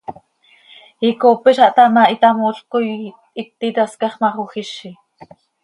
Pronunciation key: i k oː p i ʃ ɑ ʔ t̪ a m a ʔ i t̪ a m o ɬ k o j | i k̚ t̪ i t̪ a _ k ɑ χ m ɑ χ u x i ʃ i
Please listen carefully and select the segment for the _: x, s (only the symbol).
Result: s